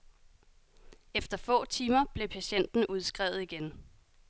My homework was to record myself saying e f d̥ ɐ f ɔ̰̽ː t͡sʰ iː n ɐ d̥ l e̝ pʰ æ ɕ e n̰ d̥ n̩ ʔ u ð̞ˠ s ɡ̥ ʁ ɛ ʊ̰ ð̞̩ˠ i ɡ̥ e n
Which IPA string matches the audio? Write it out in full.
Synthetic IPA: e f d̥ ɐ f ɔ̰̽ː t͡sʰ iː m ɐ b̥ l e̝ pʰ æ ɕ e n̰ d̥ n̩ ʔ u ð̞ˠ s ɡ̥ ʁ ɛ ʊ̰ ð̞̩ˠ i ɡ̥ e n